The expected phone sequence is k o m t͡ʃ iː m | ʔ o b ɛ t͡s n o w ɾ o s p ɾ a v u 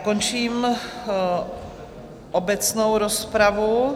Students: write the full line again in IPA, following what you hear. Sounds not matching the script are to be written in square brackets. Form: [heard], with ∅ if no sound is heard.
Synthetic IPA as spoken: k o [n] t͡ʃ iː m | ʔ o b ɛ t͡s n o w ɾ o s p ɾ a v u